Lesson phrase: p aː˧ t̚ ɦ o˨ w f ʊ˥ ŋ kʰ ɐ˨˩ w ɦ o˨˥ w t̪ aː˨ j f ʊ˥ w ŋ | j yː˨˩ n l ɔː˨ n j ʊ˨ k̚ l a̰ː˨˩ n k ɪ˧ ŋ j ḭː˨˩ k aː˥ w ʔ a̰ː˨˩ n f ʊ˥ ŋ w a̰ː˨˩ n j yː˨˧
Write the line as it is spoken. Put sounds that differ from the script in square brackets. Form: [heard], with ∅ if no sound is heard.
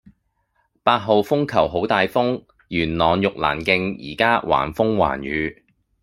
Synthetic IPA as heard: p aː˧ t̚ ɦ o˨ w f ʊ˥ ŋ kʰ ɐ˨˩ w ɦ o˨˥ w t̪ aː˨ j f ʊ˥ [∅] ŋ | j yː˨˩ n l ɔː˨ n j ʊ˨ k̚ l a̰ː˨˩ n k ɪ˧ ŋ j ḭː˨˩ k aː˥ w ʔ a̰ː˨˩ n f ʊ˥ ŋ w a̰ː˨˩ n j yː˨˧